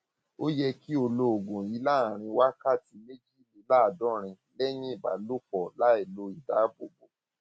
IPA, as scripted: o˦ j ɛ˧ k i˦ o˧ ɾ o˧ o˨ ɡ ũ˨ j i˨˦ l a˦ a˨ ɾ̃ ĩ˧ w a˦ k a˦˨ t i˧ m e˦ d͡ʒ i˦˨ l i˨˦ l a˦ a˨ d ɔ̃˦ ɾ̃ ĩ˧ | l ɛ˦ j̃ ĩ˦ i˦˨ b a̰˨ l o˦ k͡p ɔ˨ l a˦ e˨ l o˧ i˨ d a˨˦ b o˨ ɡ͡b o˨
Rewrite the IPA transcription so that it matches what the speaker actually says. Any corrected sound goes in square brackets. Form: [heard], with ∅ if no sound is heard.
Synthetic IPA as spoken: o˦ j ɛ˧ k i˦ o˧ [l] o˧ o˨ ɡ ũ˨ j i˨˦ l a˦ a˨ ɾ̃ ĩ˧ w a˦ k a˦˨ t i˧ m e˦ d͡ʒ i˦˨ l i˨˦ l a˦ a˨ d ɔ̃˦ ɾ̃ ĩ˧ | l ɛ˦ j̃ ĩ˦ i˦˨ b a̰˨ l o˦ k͡p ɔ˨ l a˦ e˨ l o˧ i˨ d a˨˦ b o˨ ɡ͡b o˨